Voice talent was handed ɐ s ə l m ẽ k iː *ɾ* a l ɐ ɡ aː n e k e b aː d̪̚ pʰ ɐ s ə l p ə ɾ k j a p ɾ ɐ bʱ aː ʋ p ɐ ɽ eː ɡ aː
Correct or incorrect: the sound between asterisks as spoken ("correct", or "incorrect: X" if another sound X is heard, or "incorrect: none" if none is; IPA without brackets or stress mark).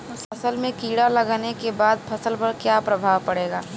incorrect: ɽ